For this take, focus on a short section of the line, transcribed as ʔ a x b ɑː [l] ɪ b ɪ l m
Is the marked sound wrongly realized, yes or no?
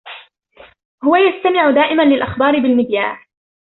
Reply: yes